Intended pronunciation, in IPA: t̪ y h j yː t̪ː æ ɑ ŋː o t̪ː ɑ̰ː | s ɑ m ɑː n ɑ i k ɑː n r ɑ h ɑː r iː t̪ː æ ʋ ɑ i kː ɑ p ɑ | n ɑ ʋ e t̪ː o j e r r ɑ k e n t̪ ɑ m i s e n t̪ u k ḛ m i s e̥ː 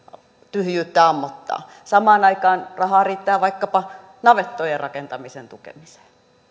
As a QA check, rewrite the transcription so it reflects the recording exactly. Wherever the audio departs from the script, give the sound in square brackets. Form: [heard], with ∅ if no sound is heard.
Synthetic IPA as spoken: t̪ y h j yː t̪ː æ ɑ [mː] o t̪ː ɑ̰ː | s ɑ m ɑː n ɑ i k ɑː n r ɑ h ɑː r iː t̪ː [æː] ʋ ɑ i kː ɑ p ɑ | n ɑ ʋ e t̪ː o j e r r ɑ k e n t̪ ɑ m i s e n t̪ u k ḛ m i s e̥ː